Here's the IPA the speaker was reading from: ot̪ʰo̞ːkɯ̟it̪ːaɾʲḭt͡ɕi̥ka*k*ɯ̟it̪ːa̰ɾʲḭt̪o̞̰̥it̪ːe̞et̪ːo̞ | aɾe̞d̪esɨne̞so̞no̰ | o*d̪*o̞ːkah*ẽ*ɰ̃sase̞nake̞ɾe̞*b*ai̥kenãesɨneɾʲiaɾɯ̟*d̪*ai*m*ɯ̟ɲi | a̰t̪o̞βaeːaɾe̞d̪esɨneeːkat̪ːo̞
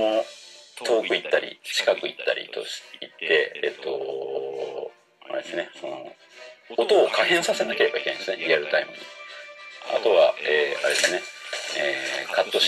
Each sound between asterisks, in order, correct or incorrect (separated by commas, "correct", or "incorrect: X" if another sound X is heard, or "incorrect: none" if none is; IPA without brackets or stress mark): correct, incorrect: t̪, correct, correct, incorrect: t̪, correct